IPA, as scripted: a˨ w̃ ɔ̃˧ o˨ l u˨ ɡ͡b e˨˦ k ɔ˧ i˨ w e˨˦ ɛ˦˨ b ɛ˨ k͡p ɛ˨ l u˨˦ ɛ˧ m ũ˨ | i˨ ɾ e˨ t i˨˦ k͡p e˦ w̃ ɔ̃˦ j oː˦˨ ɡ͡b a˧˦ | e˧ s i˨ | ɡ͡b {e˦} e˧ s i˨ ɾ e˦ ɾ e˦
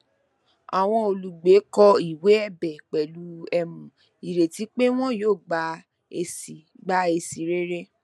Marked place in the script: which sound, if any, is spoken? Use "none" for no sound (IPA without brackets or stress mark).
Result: a˦